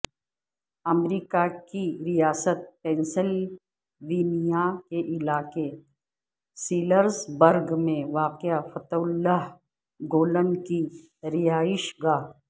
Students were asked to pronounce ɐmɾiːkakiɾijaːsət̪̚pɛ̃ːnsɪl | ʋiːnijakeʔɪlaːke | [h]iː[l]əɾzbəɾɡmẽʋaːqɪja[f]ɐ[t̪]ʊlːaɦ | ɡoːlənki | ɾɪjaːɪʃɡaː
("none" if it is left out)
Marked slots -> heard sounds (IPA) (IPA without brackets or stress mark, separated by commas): s, l, f, t̪